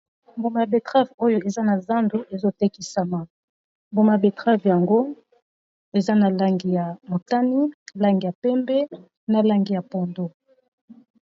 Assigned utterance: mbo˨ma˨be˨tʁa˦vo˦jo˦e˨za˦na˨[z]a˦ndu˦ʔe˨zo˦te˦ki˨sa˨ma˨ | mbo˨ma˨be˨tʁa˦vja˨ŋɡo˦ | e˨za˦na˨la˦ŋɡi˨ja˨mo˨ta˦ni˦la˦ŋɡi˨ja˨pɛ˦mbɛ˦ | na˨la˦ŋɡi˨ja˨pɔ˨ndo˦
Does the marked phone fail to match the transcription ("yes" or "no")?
no